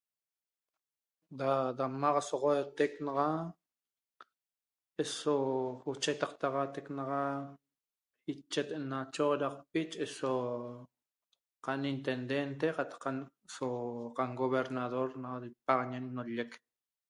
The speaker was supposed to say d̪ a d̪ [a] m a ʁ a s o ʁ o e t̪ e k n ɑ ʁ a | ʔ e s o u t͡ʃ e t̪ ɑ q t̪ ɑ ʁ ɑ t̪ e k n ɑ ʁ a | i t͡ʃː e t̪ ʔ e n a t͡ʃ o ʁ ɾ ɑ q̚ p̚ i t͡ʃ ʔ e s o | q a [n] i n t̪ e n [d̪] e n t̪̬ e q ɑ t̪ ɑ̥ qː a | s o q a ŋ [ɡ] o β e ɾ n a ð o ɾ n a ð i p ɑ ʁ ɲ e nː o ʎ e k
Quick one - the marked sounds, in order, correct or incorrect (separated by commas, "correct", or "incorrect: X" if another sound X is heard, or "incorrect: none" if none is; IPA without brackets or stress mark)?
correct, correct, correct, correct